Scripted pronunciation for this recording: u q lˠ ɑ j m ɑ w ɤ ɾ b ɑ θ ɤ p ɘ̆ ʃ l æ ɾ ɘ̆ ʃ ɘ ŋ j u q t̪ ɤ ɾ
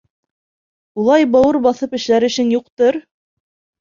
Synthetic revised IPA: u lˠ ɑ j b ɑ w ɤ ɾ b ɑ θ ɤ p ɘ̆ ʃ l æ ɾ ɘ̆ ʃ ɘ ŋ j u q t̪ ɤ ɾ